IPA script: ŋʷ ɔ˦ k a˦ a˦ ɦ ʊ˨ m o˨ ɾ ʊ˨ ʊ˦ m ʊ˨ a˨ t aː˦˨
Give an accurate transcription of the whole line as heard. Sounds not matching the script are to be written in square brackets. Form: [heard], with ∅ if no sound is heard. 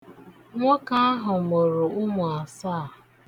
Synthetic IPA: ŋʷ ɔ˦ k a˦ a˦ ɦ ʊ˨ m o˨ ɾ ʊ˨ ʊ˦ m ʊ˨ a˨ [s] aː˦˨